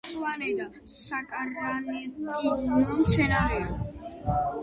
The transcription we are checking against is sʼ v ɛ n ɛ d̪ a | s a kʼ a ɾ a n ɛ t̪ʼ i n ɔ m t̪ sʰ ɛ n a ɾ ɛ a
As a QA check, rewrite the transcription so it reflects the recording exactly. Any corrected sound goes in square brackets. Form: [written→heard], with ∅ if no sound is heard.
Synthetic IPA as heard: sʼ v [ɛ→a] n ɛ d̪ a | s a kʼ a ɾ a n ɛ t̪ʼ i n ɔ m t̪ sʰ ɛ n a ɾ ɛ a